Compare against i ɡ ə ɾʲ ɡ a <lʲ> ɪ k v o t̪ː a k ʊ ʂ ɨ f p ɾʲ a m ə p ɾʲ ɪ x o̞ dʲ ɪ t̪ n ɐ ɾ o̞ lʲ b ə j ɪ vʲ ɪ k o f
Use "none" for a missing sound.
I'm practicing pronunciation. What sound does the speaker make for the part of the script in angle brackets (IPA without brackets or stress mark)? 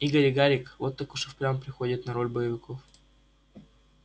ɾʲ